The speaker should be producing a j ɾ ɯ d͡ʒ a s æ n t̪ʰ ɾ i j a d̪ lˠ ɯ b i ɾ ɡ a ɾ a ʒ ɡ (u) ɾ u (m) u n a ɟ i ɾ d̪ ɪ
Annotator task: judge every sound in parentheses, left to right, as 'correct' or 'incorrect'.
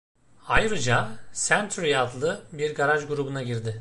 correct, incorrect: b

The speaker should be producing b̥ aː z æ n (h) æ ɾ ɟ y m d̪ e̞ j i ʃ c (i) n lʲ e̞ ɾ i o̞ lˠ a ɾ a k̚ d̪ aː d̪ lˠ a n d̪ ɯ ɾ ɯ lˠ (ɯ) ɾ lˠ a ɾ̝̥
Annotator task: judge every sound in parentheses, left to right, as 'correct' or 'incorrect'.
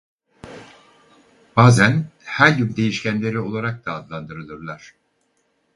correct, incorrect: æ, correct

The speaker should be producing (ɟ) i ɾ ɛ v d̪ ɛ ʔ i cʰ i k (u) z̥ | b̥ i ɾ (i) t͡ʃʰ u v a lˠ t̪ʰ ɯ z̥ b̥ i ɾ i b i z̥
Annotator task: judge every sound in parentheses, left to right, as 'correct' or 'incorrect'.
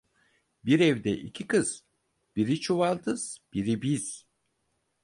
incorrect: b, incorrect: ɯ, correct

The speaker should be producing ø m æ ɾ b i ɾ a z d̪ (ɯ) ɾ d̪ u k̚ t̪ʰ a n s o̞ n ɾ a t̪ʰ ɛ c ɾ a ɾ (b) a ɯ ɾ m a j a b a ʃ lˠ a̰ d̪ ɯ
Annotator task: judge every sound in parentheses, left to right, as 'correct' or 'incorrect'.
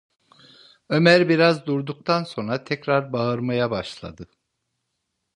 incorrect: u, correct

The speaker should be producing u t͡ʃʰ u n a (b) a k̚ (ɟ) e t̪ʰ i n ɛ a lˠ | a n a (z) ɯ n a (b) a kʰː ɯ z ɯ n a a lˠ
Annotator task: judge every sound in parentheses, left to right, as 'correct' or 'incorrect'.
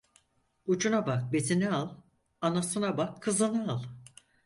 correct, incorrect: b, incorrect: s, correct

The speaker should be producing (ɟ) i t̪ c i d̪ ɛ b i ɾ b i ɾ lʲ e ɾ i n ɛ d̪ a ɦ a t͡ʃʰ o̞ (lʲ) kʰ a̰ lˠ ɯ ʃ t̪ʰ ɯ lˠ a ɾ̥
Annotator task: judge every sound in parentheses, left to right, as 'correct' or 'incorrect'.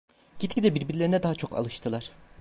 correct, incorrect: none

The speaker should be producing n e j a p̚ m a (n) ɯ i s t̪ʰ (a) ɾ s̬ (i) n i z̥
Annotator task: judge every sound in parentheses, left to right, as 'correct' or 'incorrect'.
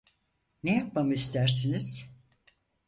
incorrect: m, incorrect: æ, correct

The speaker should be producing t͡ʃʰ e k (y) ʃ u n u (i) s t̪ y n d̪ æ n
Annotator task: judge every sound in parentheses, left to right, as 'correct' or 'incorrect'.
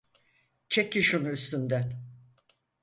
incorrect: i, incorrect: y

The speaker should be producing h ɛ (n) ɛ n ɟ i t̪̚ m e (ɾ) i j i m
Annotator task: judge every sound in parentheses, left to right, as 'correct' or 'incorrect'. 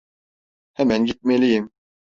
incorrect: m, incorrect: l

